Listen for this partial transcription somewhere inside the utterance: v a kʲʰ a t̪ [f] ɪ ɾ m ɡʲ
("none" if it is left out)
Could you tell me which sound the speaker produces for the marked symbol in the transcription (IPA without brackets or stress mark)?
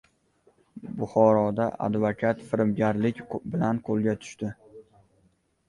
f